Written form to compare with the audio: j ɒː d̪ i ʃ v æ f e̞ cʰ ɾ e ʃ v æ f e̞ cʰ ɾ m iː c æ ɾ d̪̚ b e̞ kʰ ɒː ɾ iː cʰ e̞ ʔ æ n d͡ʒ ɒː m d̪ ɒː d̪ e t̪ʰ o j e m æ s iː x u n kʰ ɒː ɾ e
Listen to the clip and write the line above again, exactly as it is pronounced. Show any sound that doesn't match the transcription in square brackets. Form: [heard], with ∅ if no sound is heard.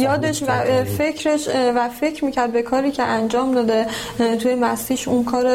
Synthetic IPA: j ɒː d̪ [e] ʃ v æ f e̞ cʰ ɾ e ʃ v æ f e̞ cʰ ɾ m iː c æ ɾ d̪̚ b e̞ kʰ ɒː ɾ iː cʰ e̞ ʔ æ n d͡ʒ ɒː m d̪ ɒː d̪ e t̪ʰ [u] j e m æ s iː [ʃ] u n kʰ ɒː ɾ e